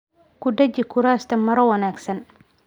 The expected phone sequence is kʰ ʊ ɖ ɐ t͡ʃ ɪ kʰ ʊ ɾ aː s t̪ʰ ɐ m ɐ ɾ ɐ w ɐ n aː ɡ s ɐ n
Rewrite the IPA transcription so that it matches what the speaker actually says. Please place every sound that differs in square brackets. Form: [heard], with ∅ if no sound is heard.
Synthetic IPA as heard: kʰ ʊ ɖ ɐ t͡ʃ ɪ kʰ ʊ ɾ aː s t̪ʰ ɐ m ɐ ɾ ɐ w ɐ n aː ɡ s ɐ n